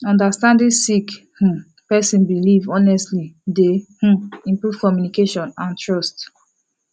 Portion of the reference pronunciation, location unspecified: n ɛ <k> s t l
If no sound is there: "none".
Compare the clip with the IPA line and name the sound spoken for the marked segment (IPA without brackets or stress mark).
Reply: none